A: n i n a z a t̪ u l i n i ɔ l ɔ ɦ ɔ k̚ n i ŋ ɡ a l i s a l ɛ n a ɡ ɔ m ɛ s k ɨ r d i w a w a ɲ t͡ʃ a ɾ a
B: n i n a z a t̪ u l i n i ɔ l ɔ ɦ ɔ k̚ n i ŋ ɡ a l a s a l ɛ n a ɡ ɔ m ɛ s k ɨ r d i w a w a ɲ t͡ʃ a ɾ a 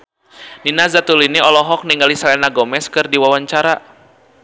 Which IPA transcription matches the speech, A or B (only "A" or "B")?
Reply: A